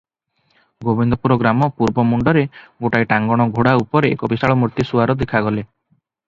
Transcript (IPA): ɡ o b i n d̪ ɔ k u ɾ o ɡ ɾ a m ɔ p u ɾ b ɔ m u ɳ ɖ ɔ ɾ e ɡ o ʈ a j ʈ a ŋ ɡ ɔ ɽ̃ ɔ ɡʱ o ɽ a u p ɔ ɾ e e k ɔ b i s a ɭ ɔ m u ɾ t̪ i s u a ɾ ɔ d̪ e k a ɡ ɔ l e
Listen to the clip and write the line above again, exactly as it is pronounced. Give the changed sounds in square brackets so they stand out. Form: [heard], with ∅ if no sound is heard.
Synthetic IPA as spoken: ɡ o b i n d̪ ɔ [p] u ɾ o ɡ ɾ a m ɔ p u ɾ b ɔ m u ɳ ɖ ɔ ɾ e ɡ o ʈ a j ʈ a ŋ ɡ ɔ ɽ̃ ɔ ɡʱ o ɽ a u p ɔ ɾ e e k ɔ b i s a ɭ ɔ m u ɾ t̪ i s u a ɾ ɔ d̪ e [kʰ] a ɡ ɔ l e